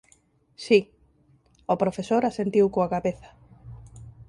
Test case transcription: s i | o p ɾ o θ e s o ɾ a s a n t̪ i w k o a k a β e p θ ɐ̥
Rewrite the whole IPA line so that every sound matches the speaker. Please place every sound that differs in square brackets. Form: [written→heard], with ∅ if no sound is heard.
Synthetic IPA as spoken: s i | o p ɾ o [θ→f] e s o ɾ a s [a→e] n t̪ i w k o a k a β e [p→∅] θ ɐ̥